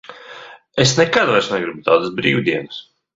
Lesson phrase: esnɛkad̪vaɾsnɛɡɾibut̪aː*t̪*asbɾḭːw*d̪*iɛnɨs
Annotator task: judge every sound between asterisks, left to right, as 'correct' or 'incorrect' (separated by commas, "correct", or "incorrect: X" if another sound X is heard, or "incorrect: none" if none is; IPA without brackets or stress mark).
incorrect: d̪, correct